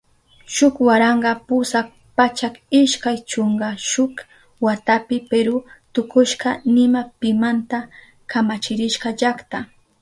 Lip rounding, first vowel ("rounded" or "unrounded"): rounded